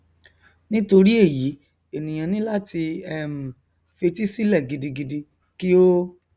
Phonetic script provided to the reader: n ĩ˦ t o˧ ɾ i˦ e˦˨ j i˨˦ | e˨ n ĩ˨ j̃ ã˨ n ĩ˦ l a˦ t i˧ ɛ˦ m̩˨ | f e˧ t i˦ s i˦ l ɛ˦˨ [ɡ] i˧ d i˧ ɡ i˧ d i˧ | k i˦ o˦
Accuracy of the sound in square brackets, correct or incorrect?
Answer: correct